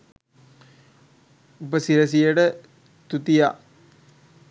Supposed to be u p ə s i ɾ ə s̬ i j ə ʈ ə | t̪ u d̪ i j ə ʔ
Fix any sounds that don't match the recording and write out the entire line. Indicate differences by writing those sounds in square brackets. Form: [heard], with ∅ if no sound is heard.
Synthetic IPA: u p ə s i ɾ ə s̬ i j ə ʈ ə | t̪ u [t̪] i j [a] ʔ